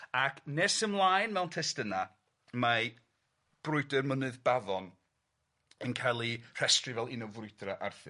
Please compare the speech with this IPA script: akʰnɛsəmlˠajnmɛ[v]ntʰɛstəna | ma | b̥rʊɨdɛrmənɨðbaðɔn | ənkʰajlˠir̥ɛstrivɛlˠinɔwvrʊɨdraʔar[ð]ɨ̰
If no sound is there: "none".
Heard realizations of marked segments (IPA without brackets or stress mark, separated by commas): w, θ